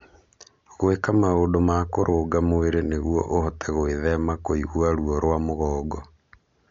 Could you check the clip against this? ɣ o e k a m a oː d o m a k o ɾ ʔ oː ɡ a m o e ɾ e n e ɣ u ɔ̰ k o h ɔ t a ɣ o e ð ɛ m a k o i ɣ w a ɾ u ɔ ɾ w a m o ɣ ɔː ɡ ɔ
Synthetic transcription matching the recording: ɣ o e k a m a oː d o m a k o ɾ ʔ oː ɡ a m o e ɾ e n e ɣ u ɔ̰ ʔ o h ɔ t ɛ ɣ o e ð ɛ m a k o i ɣ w a ɾ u ɔ ɾ w a m o ɣ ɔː ɡ ɔ